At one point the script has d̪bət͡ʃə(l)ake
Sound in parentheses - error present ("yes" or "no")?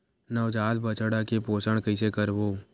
yes